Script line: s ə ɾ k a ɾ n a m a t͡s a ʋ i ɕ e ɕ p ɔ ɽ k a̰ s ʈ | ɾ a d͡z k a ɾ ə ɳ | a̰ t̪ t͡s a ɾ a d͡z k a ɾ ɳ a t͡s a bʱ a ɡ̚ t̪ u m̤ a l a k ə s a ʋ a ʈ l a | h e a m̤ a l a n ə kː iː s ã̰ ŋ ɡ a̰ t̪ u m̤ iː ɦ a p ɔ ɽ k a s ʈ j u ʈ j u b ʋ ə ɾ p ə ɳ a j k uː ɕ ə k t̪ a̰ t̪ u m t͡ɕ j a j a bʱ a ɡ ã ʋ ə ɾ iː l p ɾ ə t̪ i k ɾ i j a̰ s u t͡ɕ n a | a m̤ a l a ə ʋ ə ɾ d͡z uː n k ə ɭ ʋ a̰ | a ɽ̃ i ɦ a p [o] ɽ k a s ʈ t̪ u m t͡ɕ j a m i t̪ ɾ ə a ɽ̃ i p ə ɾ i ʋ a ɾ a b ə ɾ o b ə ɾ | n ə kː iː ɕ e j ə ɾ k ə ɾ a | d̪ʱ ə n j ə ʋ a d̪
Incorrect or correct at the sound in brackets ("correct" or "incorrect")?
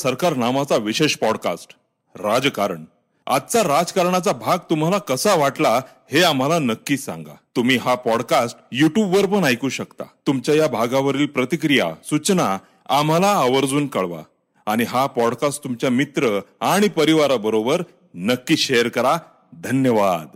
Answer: incorrect